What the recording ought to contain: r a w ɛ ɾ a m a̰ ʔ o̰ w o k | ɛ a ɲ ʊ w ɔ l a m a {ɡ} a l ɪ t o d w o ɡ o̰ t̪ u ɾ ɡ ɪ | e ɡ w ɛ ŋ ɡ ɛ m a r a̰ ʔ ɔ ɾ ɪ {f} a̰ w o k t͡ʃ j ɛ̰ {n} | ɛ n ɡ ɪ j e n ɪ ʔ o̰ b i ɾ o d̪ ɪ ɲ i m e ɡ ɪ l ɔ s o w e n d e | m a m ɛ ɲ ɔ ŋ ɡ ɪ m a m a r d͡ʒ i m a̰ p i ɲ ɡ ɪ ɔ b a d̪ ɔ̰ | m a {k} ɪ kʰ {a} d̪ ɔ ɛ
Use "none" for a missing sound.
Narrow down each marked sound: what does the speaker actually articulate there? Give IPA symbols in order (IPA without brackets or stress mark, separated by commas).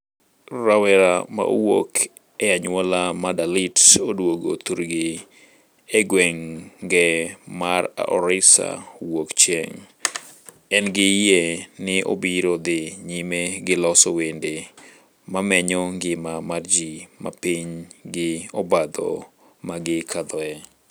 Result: d, s, ŋ, ɡ, a